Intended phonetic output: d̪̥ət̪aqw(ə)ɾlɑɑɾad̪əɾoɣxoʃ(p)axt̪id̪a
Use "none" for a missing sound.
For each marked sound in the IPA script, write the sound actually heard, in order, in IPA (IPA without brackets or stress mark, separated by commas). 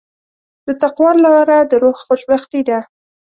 ɑ, b